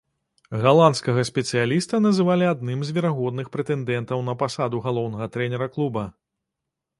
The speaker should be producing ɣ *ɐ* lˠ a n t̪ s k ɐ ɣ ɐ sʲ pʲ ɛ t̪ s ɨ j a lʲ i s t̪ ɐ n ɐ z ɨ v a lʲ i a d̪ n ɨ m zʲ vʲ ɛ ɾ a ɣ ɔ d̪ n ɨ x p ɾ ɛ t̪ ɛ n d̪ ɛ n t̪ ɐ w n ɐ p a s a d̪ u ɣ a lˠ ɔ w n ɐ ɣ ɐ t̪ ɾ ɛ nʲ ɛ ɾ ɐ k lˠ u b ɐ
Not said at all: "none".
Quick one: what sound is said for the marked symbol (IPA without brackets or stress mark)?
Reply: a